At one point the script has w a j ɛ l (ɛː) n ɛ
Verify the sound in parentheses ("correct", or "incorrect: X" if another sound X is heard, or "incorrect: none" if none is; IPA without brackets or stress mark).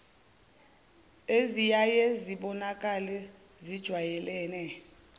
correct